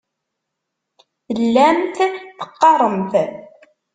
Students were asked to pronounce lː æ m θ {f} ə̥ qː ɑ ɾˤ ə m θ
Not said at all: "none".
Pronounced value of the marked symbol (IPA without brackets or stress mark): θ